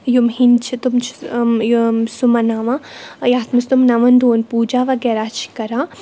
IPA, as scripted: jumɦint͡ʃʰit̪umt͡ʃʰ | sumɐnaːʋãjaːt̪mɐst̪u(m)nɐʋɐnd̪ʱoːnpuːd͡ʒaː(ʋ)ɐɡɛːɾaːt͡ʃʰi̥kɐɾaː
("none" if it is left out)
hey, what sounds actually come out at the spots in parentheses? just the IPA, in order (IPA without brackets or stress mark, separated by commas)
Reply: m, ʋ